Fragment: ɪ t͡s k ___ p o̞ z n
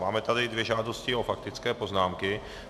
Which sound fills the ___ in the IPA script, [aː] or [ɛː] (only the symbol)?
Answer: ɛː